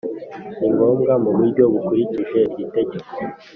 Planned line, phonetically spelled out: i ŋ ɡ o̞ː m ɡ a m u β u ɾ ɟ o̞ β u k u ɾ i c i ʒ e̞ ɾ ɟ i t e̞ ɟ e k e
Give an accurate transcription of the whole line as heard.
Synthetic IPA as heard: i ŋ ɡ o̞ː m ɡ a m u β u ɾ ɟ o̞ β u k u ɾ i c i ʒ e̞ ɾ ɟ i t e̞ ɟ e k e